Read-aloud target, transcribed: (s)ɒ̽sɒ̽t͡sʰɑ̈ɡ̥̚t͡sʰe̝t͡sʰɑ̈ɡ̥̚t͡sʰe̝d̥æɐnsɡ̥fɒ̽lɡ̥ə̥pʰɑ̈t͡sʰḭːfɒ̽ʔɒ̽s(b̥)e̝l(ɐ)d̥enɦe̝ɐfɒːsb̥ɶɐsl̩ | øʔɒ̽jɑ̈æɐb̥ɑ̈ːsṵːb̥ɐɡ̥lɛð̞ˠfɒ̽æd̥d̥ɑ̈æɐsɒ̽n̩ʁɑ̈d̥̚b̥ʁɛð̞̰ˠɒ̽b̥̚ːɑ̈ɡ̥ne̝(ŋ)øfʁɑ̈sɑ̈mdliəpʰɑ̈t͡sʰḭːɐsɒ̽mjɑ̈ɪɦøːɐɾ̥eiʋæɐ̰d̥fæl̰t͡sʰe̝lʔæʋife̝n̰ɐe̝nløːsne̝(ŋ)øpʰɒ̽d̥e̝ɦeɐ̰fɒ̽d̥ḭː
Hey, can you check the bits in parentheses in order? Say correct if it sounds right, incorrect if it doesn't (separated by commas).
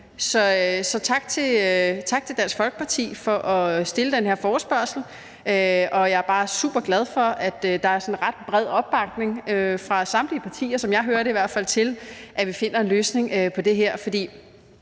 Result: correct, incorrect, incorrect, correct, correct